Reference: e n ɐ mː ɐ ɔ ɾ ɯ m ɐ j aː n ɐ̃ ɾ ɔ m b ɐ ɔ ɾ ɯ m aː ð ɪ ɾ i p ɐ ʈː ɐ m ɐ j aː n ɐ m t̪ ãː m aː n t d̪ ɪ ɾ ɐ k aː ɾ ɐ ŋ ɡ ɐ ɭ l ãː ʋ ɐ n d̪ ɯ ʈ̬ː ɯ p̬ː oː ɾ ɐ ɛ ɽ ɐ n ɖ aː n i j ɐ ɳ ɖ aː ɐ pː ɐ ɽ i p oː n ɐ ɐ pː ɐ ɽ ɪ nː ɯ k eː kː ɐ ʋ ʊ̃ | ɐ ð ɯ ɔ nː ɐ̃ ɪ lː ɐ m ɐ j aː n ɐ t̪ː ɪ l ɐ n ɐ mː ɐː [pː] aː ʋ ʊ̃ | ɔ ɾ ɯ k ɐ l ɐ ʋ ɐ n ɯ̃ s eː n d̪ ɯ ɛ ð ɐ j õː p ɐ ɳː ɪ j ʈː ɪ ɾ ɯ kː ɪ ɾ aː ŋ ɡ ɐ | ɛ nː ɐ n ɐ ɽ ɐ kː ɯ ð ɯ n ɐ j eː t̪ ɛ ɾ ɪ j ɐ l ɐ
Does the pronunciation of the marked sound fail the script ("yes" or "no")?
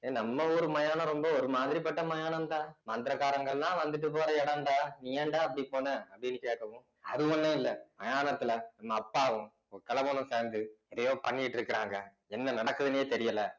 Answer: no